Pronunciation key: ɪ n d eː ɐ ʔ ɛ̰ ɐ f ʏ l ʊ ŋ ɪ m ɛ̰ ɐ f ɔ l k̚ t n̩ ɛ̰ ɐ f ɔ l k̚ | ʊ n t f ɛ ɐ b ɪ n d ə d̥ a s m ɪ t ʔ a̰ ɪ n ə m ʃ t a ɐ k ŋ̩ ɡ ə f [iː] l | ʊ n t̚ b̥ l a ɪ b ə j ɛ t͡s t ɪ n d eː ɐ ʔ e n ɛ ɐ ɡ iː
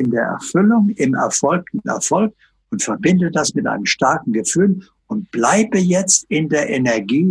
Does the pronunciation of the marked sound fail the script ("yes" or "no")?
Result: yes